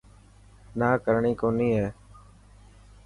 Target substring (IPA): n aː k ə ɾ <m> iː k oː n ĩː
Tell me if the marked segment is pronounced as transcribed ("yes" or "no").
no